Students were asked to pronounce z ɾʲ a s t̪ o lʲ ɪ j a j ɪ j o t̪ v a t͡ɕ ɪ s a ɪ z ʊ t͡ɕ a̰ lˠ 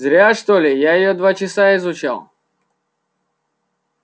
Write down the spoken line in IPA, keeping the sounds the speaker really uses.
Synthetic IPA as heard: z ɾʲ a ʂ t̪ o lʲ ɪ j a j ɪ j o d̪ v a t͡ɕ ɪ s a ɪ z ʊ t͡ɕ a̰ lˠ